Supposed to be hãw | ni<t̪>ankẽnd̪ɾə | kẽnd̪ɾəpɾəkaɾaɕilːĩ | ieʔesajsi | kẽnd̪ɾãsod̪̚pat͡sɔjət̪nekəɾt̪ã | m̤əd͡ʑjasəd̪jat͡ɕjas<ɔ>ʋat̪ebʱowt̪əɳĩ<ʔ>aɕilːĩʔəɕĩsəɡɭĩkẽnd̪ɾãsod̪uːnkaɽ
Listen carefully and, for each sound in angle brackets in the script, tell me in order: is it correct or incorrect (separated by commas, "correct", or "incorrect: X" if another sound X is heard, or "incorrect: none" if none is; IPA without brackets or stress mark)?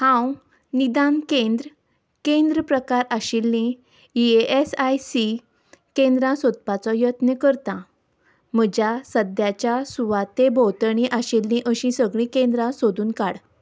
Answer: incorrect: d̪, incorrect: u, correct